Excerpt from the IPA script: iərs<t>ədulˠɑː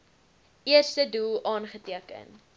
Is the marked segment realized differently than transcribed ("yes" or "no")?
no